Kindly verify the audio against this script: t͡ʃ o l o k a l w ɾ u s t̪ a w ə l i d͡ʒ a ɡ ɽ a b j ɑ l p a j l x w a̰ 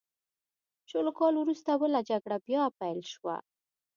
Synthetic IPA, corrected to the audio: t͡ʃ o l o k ɑ l w ɾ u s t̪ a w ə l a d͡ʒ a ɡ ɽ a b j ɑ p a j l ʃ w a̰

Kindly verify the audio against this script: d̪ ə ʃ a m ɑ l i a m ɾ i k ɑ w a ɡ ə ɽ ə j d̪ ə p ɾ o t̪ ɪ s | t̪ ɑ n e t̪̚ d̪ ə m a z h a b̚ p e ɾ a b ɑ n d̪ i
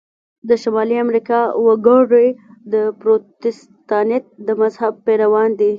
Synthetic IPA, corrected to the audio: d̪ ə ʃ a m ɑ l i a m ɾ i k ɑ w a ɡ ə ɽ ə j d̪ ə p ɾ o t̪ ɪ s | t̪ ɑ n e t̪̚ d̪ ə m a z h a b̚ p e ɾ a w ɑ n d̪ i

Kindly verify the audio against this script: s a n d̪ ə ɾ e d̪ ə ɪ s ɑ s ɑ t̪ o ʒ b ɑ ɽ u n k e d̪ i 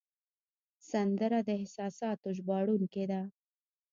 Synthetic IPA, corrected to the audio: s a n d̪ ə ɾ a d̪ ə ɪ s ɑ s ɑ t̪ o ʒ b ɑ ɽ u n k e d̪ a

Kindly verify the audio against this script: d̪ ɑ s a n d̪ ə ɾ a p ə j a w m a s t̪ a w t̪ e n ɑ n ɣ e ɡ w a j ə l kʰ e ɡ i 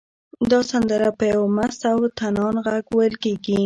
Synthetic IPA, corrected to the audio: d̪ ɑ s a n d̪ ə ɾ a p ə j a w m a s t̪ a w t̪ a n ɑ n ɣ a ɡ w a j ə l k e ɡ i

